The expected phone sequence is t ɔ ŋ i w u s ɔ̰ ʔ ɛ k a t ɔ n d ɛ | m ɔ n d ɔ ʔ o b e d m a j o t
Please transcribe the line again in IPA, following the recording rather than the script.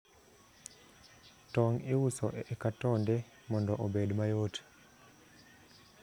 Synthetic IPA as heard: t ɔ ŋ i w u s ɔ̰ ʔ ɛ k a t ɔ n d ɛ | m ɔ n d ɔ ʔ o b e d m a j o t

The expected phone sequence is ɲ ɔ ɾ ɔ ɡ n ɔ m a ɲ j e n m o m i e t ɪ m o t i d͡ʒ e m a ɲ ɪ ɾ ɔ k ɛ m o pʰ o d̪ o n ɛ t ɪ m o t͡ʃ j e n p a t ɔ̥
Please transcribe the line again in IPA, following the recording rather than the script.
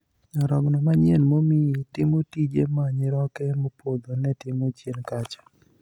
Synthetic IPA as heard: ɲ ɔ ɾ ɔ ɡ n ɔ m a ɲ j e n m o m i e t ɪ m o t i d͡ʒ e m a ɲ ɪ ɾ ɔ k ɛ m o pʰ o d̪ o n ɛ t ɪ m o t͡ʃ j e n k a t͡ʃ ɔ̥

